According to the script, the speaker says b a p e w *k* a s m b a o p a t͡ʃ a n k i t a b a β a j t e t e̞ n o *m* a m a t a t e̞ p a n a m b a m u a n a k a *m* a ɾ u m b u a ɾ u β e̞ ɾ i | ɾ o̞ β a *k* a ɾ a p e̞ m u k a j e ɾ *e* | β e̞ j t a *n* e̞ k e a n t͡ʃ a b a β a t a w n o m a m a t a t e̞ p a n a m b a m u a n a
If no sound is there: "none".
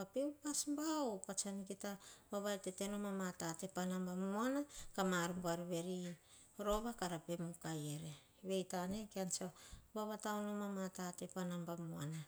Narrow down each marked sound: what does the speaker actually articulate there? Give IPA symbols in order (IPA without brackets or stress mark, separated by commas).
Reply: p, m, m, k, e, n